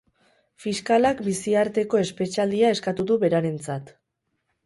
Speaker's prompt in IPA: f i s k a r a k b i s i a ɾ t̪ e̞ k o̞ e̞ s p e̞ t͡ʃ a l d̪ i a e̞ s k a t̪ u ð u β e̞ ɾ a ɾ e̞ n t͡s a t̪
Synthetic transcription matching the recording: f i s k a l a k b i s i a ɾ t̪ e̞ k o̞ e̞ s p e̞ t͡ʃ a l d̪ i a e̞ s k a t̪ u ð u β e̞ ɾ a ɾ e̞ n t͡s a t̪